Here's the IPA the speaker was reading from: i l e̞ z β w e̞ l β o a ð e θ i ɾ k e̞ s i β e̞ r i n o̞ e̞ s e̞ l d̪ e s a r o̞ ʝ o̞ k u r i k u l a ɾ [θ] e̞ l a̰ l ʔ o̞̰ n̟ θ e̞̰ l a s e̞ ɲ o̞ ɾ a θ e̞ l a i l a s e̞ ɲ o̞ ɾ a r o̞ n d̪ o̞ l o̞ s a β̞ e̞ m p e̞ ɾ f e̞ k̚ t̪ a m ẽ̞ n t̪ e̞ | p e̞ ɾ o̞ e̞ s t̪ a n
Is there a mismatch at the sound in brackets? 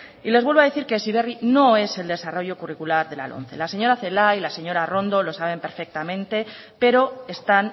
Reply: yes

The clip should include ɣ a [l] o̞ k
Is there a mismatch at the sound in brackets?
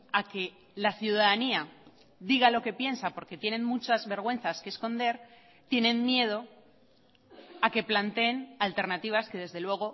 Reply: no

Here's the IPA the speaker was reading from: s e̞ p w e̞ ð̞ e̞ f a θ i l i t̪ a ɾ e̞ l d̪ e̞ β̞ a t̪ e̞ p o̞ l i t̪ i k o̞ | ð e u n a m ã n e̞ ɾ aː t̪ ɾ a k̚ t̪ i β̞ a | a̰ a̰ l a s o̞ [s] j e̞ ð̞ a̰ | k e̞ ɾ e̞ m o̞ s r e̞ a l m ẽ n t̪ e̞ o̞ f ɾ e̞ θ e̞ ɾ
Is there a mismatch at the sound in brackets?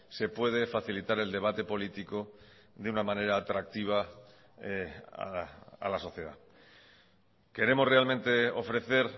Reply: yes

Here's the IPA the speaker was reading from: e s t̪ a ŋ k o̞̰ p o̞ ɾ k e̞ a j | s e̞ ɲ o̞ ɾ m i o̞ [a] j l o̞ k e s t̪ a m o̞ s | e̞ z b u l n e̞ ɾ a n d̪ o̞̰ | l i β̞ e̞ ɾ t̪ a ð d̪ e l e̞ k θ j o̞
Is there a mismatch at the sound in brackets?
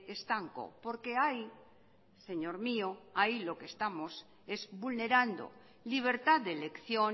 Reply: no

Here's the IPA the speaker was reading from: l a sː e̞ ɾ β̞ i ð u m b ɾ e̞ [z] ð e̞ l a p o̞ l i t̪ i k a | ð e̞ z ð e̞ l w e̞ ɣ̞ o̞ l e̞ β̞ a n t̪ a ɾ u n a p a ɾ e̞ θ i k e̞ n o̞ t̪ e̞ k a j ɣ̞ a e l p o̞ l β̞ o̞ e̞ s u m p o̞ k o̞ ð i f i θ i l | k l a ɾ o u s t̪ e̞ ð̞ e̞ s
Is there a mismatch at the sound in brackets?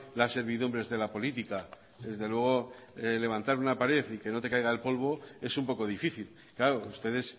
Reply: no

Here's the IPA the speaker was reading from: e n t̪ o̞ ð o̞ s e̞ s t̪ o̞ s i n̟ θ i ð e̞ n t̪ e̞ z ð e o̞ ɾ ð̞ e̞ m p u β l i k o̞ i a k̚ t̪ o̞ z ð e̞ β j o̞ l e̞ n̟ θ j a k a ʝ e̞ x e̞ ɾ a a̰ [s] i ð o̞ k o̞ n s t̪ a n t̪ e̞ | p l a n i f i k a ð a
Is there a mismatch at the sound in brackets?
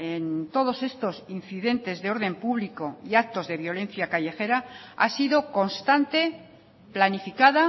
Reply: no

